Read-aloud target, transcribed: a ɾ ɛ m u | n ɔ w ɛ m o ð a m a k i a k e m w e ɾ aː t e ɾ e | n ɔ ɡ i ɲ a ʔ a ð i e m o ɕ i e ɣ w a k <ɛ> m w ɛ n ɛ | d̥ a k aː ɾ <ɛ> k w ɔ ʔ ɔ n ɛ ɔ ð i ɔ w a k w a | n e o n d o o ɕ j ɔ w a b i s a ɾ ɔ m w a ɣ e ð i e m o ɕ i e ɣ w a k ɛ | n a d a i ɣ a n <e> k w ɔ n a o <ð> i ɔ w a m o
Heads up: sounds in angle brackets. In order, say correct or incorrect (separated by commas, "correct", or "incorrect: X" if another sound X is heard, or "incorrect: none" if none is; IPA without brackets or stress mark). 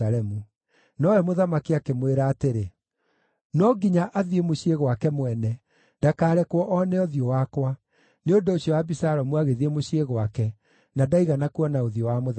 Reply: correct, correct, incorrect: a, correct